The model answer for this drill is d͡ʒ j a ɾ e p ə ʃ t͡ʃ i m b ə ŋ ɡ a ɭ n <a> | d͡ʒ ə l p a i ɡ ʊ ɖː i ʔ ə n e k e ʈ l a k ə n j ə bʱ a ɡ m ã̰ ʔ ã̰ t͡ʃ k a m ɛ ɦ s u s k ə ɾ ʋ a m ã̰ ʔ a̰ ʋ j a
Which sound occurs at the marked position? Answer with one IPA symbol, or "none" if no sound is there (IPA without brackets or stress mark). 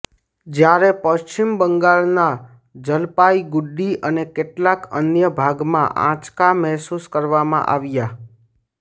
a